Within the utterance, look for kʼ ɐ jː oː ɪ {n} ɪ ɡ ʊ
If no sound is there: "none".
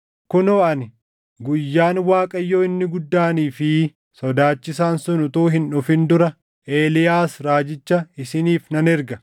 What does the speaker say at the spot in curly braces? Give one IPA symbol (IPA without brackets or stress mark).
nː